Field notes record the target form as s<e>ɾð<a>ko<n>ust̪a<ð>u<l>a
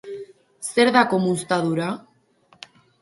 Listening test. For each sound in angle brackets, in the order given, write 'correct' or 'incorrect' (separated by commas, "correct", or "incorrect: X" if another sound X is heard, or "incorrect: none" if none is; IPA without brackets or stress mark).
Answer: correct, correct, incorrect: m, correct, incorrect: ɾ